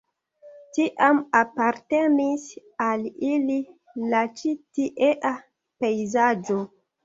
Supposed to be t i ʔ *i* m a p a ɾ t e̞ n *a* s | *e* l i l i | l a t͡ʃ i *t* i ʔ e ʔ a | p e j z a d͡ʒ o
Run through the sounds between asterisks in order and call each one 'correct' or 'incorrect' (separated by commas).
incorrect, incorrect, incorrect, correct